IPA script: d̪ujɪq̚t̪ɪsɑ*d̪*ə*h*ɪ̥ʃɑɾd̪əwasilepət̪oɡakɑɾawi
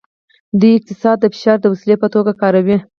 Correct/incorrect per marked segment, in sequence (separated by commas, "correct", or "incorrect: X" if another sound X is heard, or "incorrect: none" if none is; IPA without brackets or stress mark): incorrect: d̪ː, incorrect: f